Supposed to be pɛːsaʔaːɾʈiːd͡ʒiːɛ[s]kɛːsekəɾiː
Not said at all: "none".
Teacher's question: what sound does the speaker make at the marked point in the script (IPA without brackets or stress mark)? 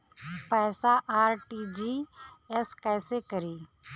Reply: s